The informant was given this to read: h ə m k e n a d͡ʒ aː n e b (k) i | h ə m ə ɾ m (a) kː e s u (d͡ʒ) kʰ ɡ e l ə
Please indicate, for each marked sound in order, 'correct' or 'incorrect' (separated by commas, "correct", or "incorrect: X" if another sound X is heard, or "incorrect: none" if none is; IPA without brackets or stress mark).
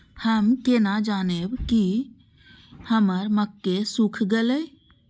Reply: correct, incorrect: ə, incorrect: none